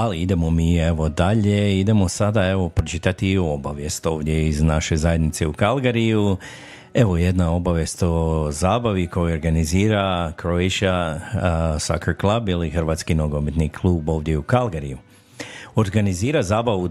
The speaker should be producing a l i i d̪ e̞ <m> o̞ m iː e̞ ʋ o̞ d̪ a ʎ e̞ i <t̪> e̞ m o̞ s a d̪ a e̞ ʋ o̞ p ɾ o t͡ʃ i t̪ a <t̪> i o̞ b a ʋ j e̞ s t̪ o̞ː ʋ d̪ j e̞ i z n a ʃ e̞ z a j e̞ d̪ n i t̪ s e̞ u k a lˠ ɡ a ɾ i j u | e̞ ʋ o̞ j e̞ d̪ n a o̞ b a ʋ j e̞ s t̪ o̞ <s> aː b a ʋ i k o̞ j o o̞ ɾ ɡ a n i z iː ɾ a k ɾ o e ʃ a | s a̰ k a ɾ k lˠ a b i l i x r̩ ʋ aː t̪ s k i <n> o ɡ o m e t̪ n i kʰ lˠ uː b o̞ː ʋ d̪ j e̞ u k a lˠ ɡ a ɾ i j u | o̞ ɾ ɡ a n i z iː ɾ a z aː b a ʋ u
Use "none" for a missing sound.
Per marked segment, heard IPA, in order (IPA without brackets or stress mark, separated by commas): m, d̪, t̪, z, n